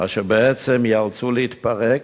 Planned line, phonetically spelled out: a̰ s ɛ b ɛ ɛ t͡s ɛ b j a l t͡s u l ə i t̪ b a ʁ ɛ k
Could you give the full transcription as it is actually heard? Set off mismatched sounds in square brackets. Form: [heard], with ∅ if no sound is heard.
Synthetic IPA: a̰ [ʃ] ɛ b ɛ ɛ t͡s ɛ [m] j a l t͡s u l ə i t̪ [p] a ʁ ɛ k